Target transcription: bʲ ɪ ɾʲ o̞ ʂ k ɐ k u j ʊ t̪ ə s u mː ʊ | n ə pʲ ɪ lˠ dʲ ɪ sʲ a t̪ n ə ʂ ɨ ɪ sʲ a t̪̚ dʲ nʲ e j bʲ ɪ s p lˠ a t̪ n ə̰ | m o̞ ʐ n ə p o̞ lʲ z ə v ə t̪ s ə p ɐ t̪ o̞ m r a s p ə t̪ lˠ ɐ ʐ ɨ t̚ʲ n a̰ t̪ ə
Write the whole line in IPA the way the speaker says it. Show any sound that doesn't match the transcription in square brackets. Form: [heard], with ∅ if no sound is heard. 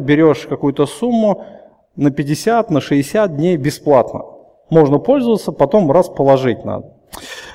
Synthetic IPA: bʲ ɪ ɾʲ o̞ ʂ k ɐ k u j ʊ t̪ ə s u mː ʊ | n ə pʲ ɪ [∅] dʲ ɪ sʲ a t̪ n ə ʂ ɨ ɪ sʲ a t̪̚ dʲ nʲ e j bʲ ɪ s p lˠ a t̪ n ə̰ | m o̞ ʐ n ə p o̞ lʲ z ə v ə t̪ s ə p ɐ t̪ o̞ m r a s p ə [∅] lˠ ɐ ʐ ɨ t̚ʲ n a̰ [d̪] ə